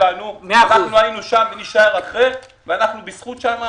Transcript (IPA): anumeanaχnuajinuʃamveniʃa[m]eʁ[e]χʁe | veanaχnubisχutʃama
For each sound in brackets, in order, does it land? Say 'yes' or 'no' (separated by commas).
no, no